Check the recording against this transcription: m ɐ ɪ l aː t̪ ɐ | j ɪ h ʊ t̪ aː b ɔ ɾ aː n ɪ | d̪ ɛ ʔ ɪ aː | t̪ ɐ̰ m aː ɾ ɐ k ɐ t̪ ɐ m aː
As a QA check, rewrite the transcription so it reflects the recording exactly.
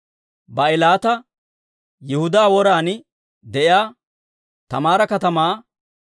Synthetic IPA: b ɐ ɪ l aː t̪ ɐ | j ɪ h ʊ d̪ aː w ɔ ɾ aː n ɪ | d̪ ɛ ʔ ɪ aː | t̪ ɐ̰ m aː ɾ ɐ k ɐ t̪ ɐ m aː